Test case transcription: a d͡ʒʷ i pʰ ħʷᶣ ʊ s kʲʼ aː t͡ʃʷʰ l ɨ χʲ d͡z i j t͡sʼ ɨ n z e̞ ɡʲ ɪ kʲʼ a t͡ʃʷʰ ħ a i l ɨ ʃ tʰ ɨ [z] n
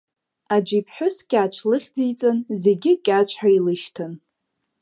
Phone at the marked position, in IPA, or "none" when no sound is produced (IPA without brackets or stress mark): none